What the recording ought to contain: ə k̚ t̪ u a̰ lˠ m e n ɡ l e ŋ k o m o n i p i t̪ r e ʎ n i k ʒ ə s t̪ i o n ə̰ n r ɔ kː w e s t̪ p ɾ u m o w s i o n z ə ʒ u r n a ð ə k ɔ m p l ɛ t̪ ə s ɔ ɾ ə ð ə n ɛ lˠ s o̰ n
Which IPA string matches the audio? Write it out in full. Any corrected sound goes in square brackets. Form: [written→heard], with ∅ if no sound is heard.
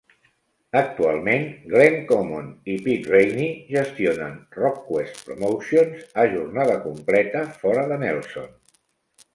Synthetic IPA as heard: ə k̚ t̪ u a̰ lˠ m e n ɡ l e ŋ k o m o n i p i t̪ r e [ʎ→j] n i [k→∅] ʒ ə s t̪ i o n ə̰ n r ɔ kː w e s t̪ p ɾ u m o w s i o n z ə ʒ u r n a ð ə k [ɔ→u] m p l ɛ t̪ ə [s→f] ɔ ɾ ə ð ə n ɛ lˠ s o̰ n